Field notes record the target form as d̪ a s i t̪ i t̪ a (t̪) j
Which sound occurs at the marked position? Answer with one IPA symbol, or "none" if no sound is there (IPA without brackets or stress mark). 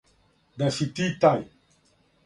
none